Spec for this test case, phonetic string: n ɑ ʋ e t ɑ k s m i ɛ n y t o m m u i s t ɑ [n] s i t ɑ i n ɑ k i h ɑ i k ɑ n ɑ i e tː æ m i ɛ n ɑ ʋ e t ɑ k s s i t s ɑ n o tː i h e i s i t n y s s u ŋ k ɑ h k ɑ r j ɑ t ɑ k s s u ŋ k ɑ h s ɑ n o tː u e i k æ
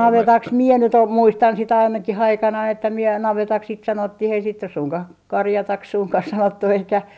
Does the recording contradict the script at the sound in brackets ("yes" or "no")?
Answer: no